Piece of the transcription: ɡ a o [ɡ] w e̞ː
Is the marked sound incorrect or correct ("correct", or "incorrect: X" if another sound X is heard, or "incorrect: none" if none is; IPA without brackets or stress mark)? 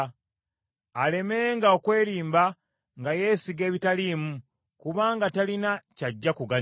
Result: incorrect: k